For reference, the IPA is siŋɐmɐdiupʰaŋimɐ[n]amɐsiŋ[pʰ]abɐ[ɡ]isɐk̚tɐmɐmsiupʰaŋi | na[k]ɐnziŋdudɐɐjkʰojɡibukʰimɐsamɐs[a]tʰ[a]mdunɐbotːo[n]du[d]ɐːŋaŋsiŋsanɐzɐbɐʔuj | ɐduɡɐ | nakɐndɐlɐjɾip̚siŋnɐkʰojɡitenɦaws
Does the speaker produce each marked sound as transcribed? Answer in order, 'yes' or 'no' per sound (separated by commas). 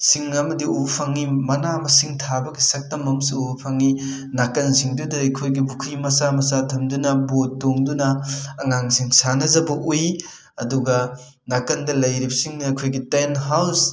yes, no, yes, yes, yes, no, no, no